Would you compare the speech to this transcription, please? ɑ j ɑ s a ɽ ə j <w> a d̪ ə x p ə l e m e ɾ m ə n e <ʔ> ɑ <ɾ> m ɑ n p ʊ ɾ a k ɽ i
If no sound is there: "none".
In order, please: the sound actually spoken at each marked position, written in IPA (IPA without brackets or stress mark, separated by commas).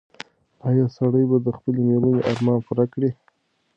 b, ʔ, ɾ